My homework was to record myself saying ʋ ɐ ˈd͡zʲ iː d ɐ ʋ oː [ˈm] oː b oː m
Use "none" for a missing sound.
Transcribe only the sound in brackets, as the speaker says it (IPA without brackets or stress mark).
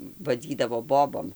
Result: b